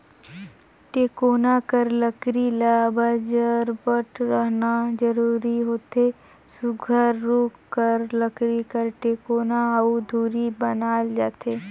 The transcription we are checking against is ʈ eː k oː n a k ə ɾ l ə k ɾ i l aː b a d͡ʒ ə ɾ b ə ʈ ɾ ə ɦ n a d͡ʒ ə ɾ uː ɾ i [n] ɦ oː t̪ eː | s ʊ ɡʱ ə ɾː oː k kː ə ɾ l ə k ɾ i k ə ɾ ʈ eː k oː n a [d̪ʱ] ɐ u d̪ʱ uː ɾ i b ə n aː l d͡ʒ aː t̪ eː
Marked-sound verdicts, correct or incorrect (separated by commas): incorrect, incorrect